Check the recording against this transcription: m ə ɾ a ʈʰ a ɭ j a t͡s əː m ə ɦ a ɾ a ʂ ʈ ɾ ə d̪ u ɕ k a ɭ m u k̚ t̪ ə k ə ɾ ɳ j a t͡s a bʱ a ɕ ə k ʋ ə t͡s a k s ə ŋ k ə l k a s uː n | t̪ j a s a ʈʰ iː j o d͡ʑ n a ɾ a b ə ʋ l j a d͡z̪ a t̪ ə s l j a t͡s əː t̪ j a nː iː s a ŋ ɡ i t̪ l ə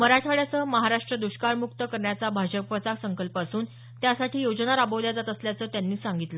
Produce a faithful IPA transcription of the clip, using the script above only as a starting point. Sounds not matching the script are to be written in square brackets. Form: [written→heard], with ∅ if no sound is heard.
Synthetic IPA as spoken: m ə ɾ a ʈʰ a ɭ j a t͡s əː m ə ɦ a ɾ a ʂ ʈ ɾ ə d̪ u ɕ k a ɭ m u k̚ t̪ ə k ə ɾ ɳ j a t͡s a bʱ a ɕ ə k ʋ ə t͡s a k s ə ŋ k ə l [k→p] a s uː n | t̪ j a s a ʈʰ iː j o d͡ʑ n a ɾ a b ə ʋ l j a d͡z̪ a t̪ ə s l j a t͡s əː t̪ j a nː iː s a ŋ ɡ i t̪ l ə

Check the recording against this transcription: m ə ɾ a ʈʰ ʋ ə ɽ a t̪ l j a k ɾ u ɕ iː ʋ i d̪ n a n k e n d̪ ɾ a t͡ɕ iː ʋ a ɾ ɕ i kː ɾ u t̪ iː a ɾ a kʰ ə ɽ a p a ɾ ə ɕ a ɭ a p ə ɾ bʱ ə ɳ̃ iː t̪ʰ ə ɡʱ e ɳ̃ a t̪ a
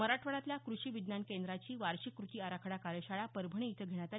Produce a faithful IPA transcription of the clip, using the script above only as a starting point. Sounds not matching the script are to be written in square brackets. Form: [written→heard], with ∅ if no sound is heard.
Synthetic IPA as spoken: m ə ɾ a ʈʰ ʋ ə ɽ a t̪ l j a k ɾ u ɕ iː ʋ i d̪ n a n k e n d̪ ɾ a t͡ɕ iː ʋ a ɾ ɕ i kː ɾ u t̪ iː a ɾ a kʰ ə ɽ a [p→k] a ɾ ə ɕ a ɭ a p ə ɾ bʱ ə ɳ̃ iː t̪ʰ ə ɡʱ e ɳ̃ a t̪ a

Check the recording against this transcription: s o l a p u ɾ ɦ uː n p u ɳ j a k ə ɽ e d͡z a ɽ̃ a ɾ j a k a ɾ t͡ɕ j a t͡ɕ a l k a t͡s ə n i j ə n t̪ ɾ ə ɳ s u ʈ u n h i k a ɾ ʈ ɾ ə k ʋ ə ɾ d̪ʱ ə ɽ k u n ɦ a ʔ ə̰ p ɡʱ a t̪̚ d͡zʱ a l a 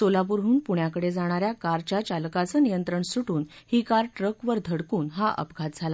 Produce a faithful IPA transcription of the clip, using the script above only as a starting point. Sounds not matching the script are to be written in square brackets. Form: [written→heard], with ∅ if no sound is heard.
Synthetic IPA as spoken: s o l a p u ɾ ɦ uː n p u ɳ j a k ə ɽ e d͡z a ɽ̃ a ɾ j a k a ɾ t͡ɕ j a t͡ɕ a l k a t͡s ə n i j ə n t̪ ɾ ə ɳ s u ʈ [u→uː] n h i k a ɾ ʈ ɾ ə k ʋ ə ɾ d̪ʱ ə ɽ k [u→uː] n ɦ a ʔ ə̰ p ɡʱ a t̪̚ d͡zʱ a l a

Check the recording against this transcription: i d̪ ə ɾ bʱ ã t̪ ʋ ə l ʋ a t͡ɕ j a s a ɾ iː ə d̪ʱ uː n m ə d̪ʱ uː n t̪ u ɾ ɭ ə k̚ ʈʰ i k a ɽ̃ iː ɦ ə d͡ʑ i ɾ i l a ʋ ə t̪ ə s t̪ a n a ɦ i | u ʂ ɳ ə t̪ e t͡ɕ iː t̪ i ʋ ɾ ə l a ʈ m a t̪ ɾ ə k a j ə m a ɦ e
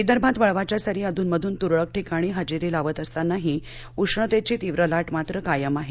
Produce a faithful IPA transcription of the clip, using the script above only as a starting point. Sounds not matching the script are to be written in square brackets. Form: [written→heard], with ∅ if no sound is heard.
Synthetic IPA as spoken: i d̪ ə ɾ bʱ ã t̪ ʋ ə [l→ɭ] ʋ a t͡ɕ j a s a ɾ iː ə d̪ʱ uː n m ə d̪ʱ uː n t̪ u ɾ ɭ ə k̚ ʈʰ i k a ɽ̃ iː ɦ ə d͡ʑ i ɾ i l a ʋ ə t̪ ə s t̪ a n a ɦ i | u ʂ ɳ ə t̪ e t͡ɕ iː t̪ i ʋ ɾ ə l a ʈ m a t̪ ɾ ə k a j ə m a ɦ e

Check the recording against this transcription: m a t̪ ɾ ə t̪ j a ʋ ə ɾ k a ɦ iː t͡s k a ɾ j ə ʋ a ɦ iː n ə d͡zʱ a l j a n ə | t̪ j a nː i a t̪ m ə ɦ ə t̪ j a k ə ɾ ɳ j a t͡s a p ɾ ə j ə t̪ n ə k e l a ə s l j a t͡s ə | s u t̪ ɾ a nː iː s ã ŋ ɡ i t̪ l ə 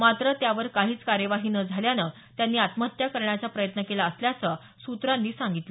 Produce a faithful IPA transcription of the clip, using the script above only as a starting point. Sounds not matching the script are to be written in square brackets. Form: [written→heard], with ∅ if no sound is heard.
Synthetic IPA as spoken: m a t̪ ɾ ə t̪ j a ʋ ə ɾ k a ɦ iː t͡s k a ɾ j ə ʋ a ɦ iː n ə d͡zʱ a l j a n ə | t̪ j a nː [i→iː] a t̪ m ə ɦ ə t̪ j a k ə ɾ ɳ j a t͡s a p ɾ ə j ə t̪ n ə k e l a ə s l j a t͡s ə | s u t̪ ɾ a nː iː s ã ŋ ɡ i t̪ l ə

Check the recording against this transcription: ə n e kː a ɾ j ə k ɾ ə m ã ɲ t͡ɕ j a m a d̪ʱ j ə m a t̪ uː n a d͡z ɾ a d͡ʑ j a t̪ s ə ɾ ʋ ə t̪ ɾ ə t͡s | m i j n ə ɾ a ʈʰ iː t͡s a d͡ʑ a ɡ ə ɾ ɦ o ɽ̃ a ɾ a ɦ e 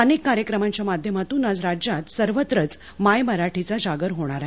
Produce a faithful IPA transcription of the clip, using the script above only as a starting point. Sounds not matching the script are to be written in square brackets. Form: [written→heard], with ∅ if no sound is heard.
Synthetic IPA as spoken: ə n e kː a ɾ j ə k ɾ ə m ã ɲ t͡ɕ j a m a d̪ʱ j ə m a t̪ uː n a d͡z ɾ a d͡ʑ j a t̪ s ə ɾ ʋ ə t̪ ɾ ə t͡s | m [i→a] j [n→m] ə ɾ a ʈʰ [iː→i] t͡s a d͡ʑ a ɡ ə ɾ ɦ o ɽ̃ a ɾ a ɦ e

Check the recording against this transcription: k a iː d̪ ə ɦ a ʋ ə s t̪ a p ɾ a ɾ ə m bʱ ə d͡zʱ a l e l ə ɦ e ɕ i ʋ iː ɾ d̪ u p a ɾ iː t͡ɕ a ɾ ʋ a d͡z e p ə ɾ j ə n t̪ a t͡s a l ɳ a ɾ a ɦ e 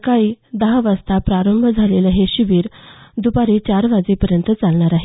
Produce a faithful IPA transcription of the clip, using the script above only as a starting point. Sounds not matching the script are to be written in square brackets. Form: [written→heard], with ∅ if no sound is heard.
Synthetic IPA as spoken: k a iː d̪ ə ɦ a ʋ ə s t̪ a p ɾ a ɾ ə m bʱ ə d͡zʱ a l e l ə ɦ e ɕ i ʋ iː ɾ d̪ u p a ɾ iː t͡ɕ a ɾ ʋ a d͡z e p ə ɾ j ə n t̪ [a→ə] t͡s a l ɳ a ɾ a ɦ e

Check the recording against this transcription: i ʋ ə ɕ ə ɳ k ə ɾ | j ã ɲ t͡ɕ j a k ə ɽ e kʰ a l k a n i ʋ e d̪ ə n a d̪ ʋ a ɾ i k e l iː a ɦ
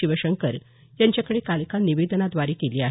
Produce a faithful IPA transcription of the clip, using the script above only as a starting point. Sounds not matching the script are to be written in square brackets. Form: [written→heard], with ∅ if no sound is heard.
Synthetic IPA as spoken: i ʋ ə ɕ ə [ɳ→ŋ] k ə ɾ | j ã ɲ t͡ɕ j a k ə ɽ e [kʰ→k] a l k a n i ʋ e d̪ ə n a d̪ ʋ a ɾ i k e l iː a ɦ

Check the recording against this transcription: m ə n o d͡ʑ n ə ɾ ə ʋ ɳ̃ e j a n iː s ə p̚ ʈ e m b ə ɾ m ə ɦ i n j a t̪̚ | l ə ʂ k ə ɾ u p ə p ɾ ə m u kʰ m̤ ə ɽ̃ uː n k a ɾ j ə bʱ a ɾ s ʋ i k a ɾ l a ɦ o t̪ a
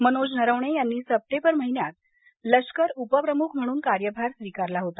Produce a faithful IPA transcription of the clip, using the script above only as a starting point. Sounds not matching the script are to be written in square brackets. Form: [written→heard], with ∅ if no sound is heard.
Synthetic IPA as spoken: m ə n o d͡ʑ n ə ɾ ə ʋ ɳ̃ e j a [n→nː] iː s ə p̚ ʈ e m b ə ɾ m ə ɦ i n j a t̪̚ | l ə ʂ k ə ɾ u p ə p ɾ ə m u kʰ m̤ ə ɽ̃ uː n k a ɾ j ə bʱ a ɾ s ʋ i k a ɾ l a ɦ o t̪ a

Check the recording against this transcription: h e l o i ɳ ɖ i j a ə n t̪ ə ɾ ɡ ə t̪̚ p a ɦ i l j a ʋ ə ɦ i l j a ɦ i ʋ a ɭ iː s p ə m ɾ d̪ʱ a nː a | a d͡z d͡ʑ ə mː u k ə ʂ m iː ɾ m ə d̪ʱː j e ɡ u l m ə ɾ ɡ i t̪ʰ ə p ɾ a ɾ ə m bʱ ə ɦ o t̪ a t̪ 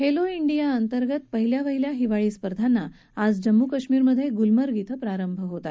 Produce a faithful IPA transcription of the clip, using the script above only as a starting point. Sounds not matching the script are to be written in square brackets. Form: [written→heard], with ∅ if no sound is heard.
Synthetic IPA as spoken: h e l o i ɳ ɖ i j a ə n t̪ ə ɾ ɡ ə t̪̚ p [a→ə] ɦ i l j a ʋ ə ɦ i l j a ɦ i ʋ a ɭ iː s p ə [m→∅] ɾ d̪ʱ a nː a | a d͡z d͡ʑ ə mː u k ə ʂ m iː ɾ m ə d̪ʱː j e ɡ u l m ə ɾ ɡ i t̪ʰ ə p ɾ a ɾ ə m bʱ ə ɦ o t̪ a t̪

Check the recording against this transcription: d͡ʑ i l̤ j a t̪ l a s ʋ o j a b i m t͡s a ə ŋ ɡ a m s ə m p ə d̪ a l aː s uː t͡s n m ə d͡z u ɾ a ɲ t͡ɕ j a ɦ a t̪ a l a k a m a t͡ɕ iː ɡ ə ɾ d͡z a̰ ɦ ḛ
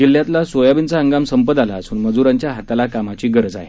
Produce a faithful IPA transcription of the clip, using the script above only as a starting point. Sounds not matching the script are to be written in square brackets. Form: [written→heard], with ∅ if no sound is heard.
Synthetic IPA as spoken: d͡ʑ i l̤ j a t̪ l a s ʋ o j a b i [m→n] t͡s a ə ŋ ɡ a m s ə m p ə d̪ a l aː s uː [t͡s→∅] n m ə d͡z u ɾ a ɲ t͡ɕ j a ɦ a t̪ a l a k a m a t͡ɕ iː ɡ ə ɾ d͡z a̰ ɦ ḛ

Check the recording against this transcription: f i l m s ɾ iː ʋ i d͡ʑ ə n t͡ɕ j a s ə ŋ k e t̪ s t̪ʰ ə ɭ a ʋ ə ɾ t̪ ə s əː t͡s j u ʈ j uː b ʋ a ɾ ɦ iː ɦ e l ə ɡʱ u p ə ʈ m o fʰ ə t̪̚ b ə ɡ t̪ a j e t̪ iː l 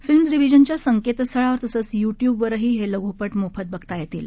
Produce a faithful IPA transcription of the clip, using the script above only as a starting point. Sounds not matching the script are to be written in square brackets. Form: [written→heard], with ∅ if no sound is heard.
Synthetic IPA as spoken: f i l m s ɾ [iː→i] ʋ i d͡ʑ ə n t͡ɕ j a s ə ŋ k e t̪ s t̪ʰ ə ɭ a ʋ ə ɾ t̪ ə s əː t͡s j u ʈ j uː b ʋ [a→ə] ɾ ɦ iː ɦ e l ə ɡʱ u p ə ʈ m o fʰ ə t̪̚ b ə ɡ t̪ a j e t̪ iː l

